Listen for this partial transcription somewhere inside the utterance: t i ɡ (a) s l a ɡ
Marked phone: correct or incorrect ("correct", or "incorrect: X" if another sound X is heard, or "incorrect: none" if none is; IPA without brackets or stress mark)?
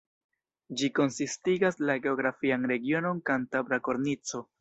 correct